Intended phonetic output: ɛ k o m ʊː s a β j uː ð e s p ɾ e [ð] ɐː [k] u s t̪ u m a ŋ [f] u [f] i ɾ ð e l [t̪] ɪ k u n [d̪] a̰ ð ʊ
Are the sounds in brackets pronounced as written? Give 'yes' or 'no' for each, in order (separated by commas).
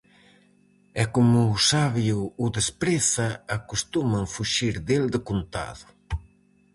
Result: no, yes, yes, no, no, no